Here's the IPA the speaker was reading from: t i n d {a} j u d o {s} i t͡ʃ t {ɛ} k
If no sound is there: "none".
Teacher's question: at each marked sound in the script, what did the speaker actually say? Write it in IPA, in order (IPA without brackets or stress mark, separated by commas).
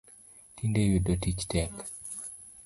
e, t, ɛ